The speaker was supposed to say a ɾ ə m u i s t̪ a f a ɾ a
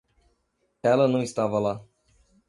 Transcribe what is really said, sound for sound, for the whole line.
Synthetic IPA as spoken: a l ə n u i s t̪ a v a l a

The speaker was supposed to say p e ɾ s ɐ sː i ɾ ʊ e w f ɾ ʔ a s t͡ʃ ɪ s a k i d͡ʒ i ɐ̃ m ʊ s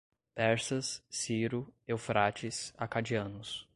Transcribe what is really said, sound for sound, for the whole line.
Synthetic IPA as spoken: p ɛ ɾ s ɐ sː i ɾ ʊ e w f ɾ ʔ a t͡ʃ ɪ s a k a d͡ʒ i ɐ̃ n ʊ s

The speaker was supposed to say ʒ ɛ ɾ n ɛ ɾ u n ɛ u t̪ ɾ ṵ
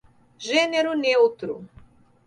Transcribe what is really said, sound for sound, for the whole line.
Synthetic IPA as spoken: ʒ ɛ n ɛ ɾ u n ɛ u t̪ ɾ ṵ

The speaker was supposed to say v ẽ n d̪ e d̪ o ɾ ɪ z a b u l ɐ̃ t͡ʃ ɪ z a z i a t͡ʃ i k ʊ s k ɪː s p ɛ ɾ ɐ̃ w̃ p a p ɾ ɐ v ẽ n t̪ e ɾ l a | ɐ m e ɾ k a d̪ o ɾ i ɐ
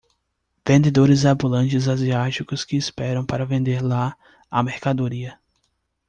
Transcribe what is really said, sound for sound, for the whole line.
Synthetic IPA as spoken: v ẽ n d̪ e d̪ o ɾ ɪ z a b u l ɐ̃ t͡ʃ ɪ z a z i a t͡ʃ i k ʊ s k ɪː s p ɛ ɾ ɐ̃ w̃ p a ɾ ɐ v ẽ n d̪ e ɾ l a | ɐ m e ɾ k a d̪ o ɾ i ɐ

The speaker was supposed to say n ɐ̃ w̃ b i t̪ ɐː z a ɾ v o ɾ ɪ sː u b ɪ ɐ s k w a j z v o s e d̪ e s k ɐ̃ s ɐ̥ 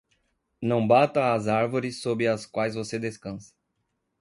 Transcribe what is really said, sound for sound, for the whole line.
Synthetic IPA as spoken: n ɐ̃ w̃ b a t̪ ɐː z a ɾ v o ɾ ɪ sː o b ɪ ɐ s k w a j z v o s e d̪ e s k ɐ̃ s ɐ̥

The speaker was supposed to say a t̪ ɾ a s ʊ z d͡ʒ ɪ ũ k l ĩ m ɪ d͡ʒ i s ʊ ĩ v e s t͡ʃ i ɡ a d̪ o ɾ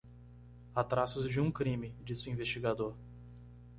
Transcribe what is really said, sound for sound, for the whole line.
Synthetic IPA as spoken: a t̪ ɾ a s ʊ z d͡ʒ ɪ ũ k ɾ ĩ m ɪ d͡ʒ i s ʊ ĩ v e s t͡ʃ i ɡ a d̪ o ɾ

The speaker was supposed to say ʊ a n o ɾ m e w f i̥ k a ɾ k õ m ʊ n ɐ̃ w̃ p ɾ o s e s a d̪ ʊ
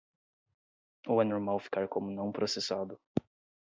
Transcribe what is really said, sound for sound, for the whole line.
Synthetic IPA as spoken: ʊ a n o ɾ m a w f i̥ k a ɾ k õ m ʊ n ɐ̃ w̃ p ɾ o s e s a d̪ ʊ

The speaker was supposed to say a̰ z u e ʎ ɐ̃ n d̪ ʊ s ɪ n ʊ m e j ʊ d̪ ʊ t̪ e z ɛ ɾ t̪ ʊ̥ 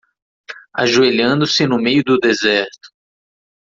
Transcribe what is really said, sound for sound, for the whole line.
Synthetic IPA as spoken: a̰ ʒ u e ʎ ɐ̃ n d̪ ʊ s ɪ n ʊ m e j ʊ d̪ ʊ d̪ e z ɛ ɾ t̪ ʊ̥

